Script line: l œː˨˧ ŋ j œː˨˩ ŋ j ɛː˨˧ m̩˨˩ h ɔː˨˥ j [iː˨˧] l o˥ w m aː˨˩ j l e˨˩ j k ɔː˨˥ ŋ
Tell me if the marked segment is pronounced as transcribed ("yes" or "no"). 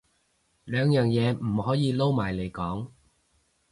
yes